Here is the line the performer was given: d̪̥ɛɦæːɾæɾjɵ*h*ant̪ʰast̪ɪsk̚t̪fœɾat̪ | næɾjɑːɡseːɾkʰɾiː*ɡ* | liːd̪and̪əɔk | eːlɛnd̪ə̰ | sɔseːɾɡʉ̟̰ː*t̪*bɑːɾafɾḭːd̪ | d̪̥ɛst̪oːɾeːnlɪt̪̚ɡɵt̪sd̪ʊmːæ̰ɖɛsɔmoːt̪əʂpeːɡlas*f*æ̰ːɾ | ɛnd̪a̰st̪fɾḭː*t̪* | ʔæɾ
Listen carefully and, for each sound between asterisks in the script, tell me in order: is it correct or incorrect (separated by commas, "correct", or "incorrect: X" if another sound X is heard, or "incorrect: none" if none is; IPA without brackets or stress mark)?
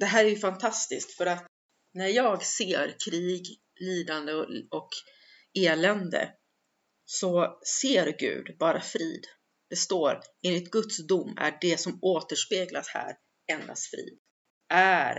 incorrect: f, correct, incorrect: d̪, incorrect: h, incorrect: d̪